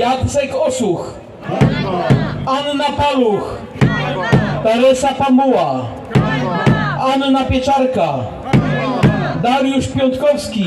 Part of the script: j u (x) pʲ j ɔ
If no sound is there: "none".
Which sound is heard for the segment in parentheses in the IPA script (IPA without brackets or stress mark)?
ʂ